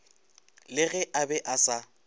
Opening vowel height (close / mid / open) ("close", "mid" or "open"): close